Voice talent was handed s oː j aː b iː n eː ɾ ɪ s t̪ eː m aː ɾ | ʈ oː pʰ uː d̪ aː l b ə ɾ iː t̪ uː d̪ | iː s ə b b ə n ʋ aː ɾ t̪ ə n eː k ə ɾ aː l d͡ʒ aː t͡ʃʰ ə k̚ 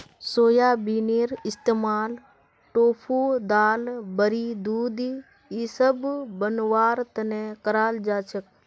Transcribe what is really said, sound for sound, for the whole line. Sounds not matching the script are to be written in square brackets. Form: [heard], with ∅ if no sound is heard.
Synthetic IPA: s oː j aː b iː n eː ɾ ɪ s t̪ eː m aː [l] | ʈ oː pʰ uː d̪ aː l b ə ɾ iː [d̪] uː d̪ | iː s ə b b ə n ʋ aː ɾ t̪ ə n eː k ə ɾ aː l d͡ʒ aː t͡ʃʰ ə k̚

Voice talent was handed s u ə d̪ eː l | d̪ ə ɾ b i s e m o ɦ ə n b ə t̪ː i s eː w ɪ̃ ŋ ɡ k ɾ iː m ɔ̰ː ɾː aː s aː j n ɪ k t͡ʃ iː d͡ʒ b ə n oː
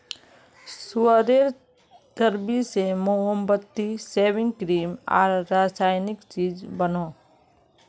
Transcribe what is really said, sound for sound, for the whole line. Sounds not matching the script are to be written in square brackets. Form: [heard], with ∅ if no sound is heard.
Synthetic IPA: s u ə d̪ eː [ɾ] | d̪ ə ɾ b i s e m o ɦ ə [m] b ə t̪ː i s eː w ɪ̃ ŋ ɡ k ɾ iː m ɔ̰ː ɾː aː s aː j n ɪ k t͡ʃ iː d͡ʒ b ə n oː

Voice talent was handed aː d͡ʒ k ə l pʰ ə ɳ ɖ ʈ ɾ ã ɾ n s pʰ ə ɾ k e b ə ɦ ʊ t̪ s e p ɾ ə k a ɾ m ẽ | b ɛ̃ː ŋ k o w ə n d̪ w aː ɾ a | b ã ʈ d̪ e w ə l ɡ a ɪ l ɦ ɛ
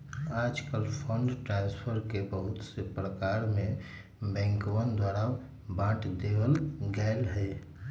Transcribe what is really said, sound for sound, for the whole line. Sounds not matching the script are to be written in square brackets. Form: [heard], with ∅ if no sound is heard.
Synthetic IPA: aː d͡ʒ k ə l pʰ ə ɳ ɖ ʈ ɾ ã [∅] n s pʰ ə ɾ k e b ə ɦ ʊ t̪ s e p ɾ ə k a ɾ m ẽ | b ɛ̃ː ŋ k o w ə n d̪ w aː ɾ a | b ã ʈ d̪ e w ə l ɡ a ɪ l ɦ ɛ

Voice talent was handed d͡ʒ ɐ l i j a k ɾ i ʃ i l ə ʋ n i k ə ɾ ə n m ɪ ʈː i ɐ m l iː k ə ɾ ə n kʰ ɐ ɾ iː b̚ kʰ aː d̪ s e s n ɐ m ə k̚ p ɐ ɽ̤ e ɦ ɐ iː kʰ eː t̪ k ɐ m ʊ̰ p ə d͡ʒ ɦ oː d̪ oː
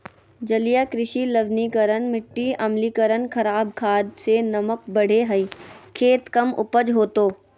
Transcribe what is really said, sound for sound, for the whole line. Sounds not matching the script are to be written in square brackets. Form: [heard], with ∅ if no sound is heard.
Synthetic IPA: d͡ʒ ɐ l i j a k ɾ [ɪ] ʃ i l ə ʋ n i k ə ɾ ə n m ɪ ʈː i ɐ m l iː k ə ɾ ə n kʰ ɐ ɾ [aː] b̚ kʰ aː d̪ s e [∅] n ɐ m ə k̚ [b] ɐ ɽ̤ e ɦ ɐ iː kʰ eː t̪ k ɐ m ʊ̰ p ə d͡ʒ ɦ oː [t̪] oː

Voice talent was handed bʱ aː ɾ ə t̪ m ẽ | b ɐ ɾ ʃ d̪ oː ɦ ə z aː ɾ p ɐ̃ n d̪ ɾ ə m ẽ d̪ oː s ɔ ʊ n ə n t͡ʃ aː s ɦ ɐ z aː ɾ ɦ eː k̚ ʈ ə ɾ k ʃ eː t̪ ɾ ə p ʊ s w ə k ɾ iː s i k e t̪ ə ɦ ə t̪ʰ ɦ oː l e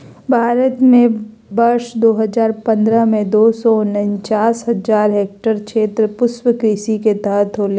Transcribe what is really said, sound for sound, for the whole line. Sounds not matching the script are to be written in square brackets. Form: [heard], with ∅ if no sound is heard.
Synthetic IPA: bʱ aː ɾ ə t̪ m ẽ | b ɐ ɾ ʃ d̪ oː ɦ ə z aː ɾ p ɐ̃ n d̪ ɾ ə m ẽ d̪ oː s ɔ ʊ n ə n t͡ʃ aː s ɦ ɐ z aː ɾ ɦ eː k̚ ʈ ə ɾ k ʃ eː t̪ ɾ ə p ʊ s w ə k ɾ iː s i k e t̪ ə ɦ ə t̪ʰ ɦ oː l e

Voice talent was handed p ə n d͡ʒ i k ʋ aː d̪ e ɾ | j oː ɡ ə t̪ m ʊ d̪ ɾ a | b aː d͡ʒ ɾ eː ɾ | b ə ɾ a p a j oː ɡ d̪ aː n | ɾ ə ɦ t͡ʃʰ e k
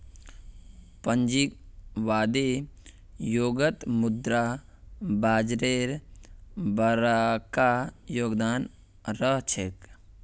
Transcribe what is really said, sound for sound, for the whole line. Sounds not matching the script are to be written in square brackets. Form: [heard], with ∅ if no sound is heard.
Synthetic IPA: p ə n d͡ʒ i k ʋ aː d̪ e [∅] | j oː ɡ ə t̪ m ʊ d̪ ɾ a | b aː d͡ʒ ɾ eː ɾ | b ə ɾ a [k] a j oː ɡ d̪ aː n | ɾ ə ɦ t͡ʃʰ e k

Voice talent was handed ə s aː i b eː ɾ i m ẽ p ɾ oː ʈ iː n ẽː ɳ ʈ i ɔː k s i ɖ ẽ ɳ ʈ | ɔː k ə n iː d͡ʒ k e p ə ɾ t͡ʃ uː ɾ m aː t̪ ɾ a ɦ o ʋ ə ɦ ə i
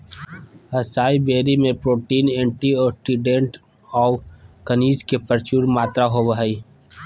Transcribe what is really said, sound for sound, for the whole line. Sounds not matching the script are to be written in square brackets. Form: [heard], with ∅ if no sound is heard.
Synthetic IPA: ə s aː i b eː ɾ i m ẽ p ɾ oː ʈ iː n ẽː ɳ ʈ i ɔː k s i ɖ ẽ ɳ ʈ | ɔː k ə n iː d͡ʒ k e p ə ɾ t͡ʃ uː ɾ m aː t̪ ɾ a ɦ o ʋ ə ɦ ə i

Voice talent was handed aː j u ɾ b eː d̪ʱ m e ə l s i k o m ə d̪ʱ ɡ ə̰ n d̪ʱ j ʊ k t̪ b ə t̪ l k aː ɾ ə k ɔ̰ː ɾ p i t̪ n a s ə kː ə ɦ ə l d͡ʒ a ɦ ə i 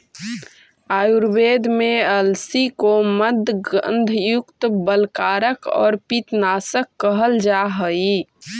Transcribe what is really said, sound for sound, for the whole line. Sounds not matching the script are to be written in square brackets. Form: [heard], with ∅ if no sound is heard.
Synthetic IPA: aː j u ɾ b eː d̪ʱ m e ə l s i k o m ə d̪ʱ ɡ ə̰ n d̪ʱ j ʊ k t̪ b ə [∅] l k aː ɾ ə k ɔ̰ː ɾ p i t̪ n a s ə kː ə ɦ ə l d͡ʒ a ɦ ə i

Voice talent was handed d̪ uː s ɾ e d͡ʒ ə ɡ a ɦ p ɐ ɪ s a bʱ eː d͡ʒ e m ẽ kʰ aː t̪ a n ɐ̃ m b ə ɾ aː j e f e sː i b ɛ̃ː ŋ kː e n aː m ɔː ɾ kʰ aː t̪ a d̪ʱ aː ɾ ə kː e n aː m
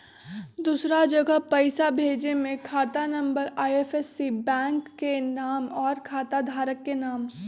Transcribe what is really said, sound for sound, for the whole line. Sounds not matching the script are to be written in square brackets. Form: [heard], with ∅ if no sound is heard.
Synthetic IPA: d̪ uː s ɾ [a] d͡ʒ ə ɡ [ə] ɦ p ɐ ɪ s a bʱ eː d͡ʒ e m ẽ kʰ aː t̪ a n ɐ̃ m b ə ɾ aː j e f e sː i b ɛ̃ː ŋ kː e n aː m ɔː ɾ kʰ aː t̪ a d̪ʱ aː ɾ ə kː e n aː m

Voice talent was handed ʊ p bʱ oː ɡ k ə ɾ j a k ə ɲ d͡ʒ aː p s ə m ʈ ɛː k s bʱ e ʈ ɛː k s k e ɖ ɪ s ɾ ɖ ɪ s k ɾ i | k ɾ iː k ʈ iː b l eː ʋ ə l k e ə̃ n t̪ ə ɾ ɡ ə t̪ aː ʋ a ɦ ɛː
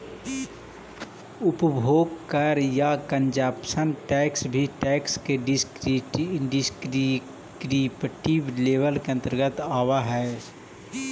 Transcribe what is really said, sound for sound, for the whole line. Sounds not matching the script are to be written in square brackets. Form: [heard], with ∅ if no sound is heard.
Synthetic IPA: ʊ p bʱ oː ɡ k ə ɾ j a k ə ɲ d͡ʒ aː p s ə [n] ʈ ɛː k s bʱ [i] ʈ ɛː k s k e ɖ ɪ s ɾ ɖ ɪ s k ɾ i | k ɾ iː [p] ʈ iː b l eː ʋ ə l k e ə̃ n t̪ ə ɾ ɡ ə t̪ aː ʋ a ɦ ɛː

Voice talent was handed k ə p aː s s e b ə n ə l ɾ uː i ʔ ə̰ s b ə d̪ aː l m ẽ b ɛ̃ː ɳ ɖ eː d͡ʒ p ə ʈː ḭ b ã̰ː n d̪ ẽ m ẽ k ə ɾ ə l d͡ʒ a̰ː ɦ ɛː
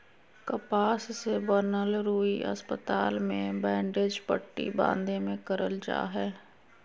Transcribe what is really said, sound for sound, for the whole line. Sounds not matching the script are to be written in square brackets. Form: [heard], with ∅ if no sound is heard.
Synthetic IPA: k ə p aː s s e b ə n ə l ɾ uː i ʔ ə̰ s [p] ə [t̪] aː l m ẽ b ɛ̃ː ɳ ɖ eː d͡ʒ p ə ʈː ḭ b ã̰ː n d̪ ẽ m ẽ k ə ɾ ə l d͡ʒ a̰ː ɦ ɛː

